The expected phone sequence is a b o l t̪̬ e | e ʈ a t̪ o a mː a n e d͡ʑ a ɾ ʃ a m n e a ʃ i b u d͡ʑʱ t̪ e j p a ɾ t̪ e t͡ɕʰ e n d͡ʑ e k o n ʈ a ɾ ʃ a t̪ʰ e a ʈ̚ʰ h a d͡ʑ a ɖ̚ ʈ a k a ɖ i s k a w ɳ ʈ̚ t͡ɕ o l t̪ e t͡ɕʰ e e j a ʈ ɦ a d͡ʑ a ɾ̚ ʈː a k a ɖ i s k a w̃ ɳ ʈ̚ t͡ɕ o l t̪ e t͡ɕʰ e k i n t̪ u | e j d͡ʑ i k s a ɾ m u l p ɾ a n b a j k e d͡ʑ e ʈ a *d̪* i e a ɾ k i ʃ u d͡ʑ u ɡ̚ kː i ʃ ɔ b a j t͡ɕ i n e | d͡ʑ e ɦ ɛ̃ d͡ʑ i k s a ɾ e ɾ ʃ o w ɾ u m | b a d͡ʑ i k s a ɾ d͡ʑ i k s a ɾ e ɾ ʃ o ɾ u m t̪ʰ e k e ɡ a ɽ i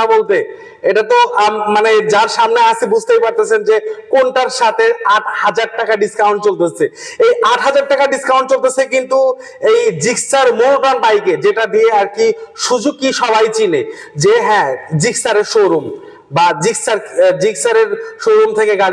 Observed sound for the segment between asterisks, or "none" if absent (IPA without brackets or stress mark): d̪